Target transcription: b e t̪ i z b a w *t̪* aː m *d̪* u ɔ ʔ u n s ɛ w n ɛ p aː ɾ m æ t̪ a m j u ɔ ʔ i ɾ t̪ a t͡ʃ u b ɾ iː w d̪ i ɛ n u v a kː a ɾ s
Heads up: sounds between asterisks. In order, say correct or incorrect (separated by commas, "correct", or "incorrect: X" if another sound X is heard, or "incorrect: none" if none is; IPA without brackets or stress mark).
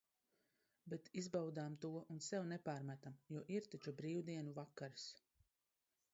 incorrect: d̪, incorrect: t̪